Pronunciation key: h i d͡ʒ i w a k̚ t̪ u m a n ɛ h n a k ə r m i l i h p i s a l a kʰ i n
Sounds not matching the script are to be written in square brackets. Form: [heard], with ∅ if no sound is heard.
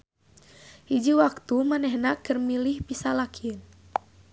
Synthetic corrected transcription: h i d͡ʒ i w a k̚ t̪ u m a n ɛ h n a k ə r m i l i h p i s a l a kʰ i n

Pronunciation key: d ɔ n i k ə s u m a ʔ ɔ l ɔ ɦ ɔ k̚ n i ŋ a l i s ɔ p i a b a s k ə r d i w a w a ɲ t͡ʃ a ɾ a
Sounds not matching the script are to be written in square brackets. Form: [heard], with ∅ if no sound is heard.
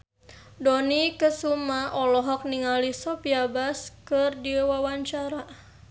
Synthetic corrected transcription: d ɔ n i k ə s u m a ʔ ɔ l ɔ ɦ ɔ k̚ n i ŋ a l i s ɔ p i a b a s k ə r d i w a w a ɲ t͡ʃ a ɾ a

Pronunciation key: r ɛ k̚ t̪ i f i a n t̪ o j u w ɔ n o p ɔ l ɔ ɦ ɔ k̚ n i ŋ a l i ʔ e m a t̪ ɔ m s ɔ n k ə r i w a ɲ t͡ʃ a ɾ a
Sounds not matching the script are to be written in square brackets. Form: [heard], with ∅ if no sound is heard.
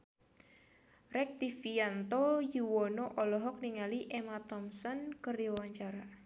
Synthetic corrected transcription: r ɛ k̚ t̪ i f i a n t̪ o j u w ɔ n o [ʔ] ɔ l ɔ ɦ ɔ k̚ n i ŋ a l i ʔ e m a t̪ ɔ m s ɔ n k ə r i w a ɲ t͡ʃ a ɾ a

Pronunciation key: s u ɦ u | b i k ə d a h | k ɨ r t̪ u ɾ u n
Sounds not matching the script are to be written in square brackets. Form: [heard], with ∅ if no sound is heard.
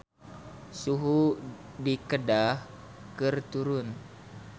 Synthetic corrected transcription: s u ɦ u | [d] i k ə d a h | k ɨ r t̪ u ɾ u n

